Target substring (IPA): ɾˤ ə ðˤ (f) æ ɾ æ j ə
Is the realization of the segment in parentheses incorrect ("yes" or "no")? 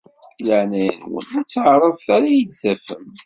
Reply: yes